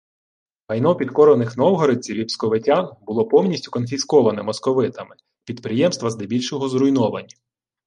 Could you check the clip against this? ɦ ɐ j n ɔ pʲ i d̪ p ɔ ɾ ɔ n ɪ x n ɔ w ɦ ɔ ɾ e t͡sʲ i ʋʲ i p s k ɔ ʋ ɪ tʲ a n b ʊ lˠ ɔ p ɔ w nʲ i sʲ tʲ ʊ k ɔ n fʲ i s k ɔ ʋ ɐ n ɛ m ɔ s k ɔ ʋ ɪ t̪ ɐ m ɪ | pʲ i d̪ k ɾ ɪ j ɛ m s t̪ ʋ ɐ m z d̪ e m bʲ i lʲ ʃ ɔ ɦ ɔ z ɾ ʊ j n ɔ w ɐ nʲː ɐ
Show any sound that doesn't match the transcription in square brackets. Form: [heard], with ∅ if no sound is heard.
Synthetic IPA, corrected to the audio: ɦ ɐ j n ɔ pʲ i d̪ [k] ɔ ɾ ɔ n ɪ x n ɔ w ɦ ɔ ɾ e t͡sʲ i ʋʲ i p s k ɔ ʋ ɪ tʲ a n b ʊ lˠ ɔ p ɔ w nʲ i sʲ tʲ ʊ k ɔ n fʲ i s k ɔ ʋ ɐ n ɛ m ɔ s k ɔ ʋ ɪ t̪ ɐ m ɪ | pʲ i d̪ [p] ɾ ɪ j ɛ m s t̪ ʋ ɐ [∅] z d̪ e [∅] bʲ i lʲ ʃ ɔ ɦ ɔ z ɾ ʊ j n ɔ [ʋ] ɐ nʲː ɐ